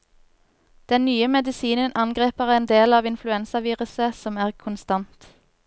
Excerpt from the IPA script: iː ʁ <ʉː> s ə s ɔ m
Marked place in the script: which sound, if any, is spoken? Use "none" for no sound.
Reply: ʉ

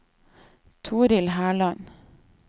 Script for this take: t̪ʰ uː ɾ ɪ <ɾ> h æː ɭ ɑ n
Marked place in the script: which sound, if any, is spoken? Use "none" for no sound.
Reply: l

